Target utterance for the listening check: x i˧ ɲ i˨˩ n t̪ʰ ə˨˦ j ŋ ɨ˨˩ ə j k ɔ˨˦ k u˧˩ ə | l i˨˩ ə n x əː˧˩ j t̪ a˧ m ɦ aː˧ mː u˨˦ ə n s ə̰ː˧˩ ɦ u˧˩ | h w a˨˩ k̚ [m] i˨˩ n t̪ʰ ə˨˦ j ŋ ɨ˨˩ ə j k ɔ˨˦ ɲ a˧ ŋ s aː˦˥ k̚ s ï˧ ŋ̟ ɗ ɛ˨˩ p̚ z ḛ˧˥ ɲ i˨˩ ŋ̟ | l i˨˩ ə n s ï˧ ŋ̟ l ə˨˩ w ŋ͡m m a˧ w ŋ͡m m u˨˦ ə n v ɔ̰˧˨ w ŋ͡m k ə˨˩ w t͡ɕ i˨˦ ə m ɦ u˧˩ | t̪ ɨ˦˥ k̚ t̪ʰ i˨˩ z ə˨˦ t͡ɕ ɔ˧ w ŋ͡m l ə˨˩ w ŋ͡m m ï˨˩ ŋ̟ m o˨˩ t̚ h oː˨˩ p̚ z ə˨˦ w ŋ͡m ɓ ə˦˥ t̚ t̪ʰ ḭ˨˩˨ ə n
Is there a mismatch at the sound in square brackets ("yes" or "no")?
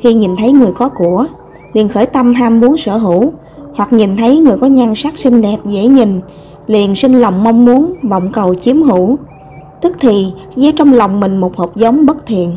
yes